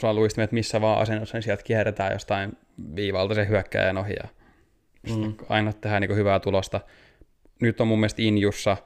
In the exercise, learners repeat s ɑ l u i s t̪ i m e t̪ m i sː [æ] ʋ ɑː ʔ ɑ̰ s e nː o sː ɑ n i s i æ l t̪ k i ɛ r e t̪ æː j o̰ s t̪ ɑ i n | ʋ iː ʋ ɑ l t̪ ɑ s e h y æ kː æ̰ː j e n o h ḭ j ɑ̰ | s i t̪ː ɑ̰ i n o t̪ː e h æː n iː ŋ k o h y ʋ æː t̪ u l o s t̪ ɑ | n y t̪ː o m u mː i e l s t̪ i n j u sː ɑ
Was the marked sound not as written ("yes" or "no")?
no